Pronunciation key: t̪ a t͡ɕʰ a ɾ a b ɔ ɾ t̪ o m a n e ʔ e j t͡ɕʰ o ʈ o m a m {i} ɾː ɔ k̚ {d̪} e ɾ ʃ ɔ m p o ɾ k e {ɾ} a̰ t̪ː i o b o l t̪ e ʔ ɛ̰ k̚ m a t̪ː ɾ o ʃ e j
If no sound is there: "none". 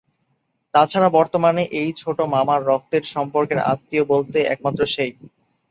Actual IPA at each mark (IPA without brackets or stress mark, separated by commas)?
a, t̪, ɾ